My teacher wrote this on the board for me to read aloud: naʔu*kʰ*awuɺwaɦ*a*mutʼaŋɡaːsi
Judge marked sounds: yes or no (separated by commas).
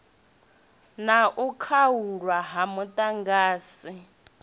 yes, yes